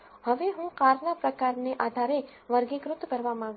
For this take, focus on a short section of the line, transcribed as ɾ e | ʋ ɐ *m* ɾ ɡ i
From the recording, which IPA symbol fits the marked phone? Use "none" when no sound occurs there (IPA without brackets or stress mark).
none